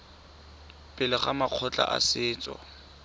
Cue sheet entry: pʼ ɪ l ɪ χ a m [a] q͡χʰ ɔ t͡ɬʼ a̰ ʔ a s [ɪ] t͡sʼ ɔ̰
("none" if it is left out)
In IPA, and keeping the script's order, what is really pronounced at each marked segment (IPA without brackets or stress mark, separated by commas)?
a, ɪː